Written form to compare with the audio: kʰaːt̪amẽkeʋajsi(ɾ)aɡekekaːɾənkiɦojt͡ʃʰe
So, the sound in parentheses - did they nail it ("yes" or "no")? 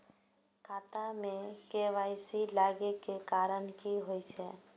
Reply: no